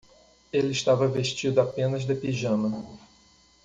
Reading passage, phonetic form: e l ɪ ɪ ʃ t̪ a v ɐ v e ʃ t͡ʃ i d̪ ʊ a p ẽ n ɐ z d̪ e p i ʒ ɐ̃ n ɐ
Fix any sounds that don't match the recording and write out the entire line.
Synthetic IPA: e l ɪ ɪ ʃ t̪ a v ɐ v e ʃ t͡ʃ i d̪ ʊ a p ẽ n ɐ z d̪ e p i ʒ ɐ̃ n ɐ